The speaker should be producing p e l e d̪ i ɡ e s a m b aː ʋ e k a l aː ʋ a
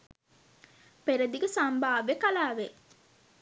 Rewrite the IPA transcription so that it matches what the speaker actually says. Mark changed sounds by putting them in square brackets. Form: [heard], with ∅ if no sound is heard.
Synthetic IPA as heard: p e [ɾ] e d̪ i ɡ e s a m b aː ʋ e k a l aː ʋ [e]